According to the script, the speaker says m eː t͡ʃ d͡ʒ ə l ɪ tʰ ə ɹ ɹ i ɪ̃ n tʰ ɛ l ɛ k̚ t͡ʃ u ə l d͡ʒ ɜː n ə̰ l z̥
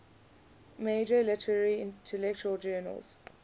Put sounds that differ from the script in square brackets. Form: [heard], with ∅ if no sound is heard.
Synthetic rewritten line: m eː [∅] d͡ʒ ə l ɪ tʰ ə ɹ ɹ i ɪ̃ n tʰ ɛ l ɛ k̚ t͡ʃ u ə l d͡ʒ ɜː n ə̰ l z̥